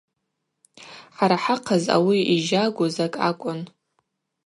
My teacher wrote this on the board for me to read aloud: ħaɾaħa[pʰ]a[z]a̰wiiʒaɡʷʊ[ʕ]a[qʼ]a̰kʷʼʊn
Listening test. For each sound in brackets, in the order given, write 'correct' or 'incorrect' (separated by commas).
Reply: incorrect, correct, incorrect, incorrect